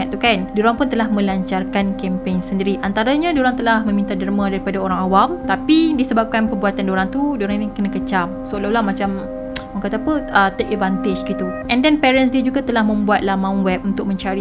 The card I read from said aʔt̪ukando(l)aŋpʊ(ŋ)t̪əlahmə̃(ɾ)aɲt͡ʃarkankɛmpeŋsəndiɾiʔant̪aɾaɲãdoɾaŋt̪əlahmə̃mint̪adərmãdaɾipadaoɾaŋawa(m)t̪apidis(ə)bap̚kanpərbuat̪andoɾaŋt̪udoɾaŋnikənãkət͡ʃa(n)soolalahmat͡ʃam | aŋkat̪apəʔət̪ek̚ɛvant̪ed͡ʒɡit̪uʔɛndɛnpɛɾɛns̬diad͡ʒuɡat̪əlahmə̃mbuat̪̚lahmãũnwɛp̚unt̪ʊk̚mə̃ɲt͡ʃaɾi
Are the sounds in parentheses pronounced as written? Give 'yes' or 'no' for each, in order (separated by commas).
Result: no, no, no, yes, yes, no